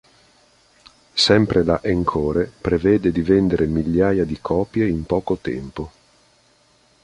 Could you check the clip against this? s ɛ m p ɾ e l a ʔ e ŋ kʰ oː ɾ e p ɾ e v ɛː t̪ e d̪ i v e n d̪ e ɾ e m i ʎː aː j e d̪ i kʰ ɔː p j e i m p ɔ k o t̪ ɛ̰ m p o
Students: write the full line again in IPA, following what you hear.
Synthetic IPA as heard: s ɛ m p ɾ e l a ʔ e ŋ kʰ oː ɾ e p ɾ e v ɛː d̪ e d̪ i v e n d̪ e ɾ e m i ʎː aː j a d̪ i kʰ ɔː p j e i m p ɔː k o t̪ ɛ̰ m p o